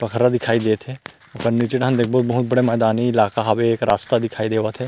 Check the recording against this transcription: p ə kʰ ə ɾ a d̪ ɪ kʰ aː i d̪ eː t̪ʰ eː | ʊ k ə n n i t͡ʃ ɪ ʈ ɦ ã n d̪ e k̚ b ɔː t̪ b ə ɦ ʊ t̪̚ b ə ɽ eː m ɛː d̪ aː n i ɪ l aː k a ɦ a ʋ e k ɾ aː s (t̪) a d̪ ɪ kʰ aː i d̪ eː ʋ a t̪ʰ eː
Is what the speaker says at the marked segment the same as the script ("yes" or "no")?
yes